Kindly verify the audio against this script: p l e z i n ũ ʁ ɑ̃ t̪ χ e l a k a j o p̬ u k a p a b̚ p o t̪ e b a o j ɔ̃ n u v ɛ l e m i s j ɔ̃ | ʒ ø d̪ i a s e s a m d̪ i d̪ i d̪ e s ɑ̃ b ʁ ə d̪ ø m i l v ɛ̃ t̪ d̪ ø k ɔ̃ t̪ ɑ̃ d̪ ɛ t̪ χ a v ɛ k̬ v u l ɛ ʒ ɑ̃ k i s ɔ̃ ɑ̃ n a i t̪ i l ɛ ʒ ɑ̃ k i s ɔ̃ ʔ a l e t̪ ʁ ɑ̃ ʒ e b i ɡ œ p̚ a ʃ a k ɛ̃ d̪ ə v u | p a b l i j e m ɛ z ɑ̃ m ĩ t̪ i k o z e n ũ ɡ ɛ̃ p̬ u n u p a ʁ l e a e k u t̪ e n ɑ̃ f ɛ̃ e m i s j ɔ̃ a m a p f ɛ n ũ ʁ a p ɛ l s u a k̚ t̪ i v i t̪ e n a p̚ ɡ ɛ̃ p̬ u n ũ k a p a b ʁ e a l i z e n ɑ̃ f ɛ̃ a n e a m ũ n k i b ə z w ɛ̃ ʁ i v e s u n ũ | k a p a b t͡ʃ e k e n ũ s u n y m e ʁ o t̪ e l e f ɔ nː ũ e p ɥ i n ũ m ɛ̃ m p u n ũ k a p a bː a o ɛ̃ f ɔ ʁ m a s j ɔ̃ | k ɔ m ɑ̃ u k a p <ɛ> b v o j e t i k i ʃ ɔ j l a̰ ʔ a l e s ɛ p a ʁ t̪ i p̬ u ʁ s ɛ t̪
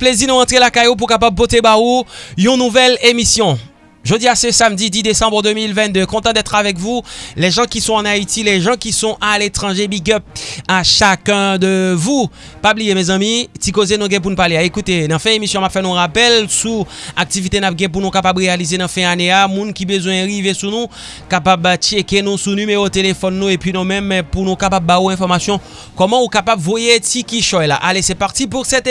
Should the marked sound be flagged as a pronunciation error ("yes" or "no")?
yes